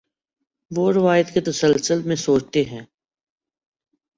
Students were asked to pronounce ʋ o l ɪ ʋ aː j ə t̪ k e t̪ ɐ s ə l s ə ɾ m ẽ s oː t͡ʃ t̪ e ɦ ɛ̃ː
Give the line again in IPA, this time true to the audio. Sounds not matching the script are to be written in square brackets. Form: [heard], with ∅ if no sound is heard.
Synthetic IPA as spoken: ʋ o [ɾ] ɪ ʋ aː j ə t̪ k e t̪ ɐ s ə l s ə [l] m ẽ s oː t͡ʃ t̪ e ɦ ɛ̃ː